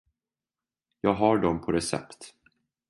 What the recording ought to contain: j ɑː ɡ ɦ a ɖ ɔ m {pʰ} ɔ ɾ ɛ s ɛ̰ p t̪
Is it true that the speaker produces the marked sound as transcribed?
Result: yes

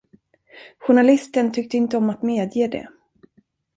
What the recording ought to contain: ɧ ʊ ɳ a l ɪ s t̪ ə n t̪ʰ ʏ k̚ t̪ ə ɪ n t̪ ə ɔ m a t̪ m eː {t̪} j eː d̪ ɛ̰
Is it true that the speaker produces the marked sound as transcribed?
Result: no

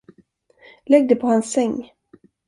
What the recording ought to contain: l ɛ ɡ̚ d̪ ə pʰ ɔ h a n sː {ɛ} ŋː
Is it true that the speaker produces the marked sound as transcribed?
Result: yes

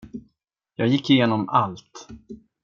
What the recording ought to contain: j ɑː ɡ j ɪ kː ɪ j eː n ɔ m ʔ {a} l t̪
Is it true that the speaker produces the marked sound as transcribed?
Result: yes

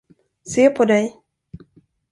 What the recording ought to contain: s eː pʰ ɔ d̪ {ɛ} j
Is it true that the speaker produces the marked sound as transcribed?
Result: yes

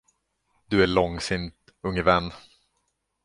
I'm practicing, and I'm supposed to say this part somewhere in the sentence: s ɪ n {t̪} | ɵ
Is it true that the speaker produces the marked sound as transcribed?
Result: yes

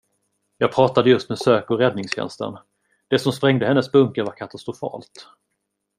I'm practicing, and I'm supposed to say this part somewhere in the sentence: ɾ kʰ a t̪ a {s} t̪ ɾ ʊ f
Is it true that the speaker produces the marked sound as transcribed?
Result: yes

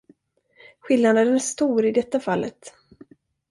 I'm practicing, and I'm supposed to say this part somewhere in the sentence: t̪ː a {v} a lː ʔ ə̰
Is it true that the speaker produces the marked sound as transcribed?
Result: no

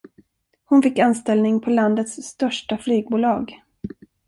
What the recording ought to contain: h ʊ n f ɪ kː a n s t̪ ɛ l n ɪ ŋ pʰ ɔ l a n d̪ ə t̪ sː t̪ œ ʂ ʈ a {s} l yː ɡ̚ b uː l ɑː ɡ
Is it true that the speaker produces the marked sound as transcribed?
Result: no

